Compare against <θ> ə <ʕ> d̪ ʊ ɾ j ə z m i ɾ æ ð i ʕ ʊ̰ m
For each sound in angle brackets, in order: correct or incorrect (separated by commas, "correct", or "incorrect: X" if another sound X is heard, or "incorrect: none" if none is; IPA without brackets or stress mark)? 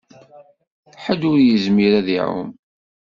incorrect: ħ, incorrect: none